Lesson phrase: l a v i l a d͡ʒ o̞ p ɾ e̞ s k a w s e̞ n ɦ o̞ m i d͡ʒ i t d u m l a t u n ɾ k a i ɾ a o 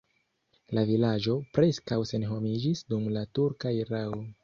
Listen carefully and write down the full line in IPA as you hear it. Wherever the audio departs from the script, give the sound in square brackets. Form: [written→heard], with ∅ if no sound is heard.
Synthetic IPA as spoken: l a v i l a d͡ʒ o̞ p ɾ e̞ s k a w s e̞ n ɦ o̞ m i d͡ʒ i [t→s] d u m l a t u [n→∅] ɾ k a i ɾ a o